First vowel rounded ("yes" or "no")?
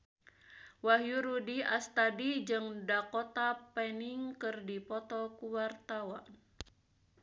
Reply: no